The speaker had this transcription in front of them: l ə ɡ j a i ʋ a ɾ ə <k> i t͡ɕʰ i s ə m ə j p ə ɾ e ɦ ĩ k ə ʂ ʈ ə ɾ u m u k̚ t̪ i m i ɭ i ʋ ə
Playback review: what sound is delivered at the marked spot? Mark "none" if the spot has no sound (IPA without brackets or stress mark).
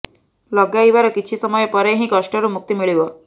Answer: k